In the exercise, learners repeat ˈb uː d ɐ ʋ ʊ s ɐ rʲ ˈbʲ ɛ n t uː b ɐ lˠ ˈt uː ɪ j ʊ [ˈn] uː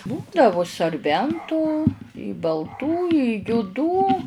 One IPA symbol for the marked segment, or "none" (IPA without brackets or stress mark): d